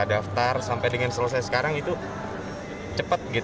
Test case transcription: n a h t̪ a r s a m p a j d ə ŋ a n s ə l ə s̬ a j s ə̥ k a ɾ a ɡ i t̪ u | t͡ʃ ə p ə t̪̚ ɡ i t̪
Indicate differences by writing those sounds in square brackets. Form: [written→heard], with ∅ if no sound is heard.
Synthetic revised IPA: [n→d] a [h→f] t̪ a r s a m p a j d ə ŋ a n s ə l ə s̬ a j s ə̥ k a ɾ a [ɡ→ŋ] i t̪ u | t͡ʃ ə p ə t̪̚ ɡ i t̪